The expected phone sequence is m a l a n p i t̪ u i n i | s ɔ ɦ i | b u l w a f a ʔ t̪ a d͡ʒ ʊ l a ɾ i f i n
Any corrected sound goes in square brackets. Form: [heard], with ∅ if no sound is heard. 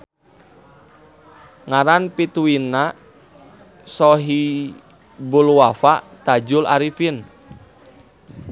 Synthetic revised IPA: [ŋ] a [ɾ] a n p i t̪ u i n [a] | s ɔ ɦ i | b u l w a f a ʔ t̪ a d͡ʒ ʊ l a ɾ i f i n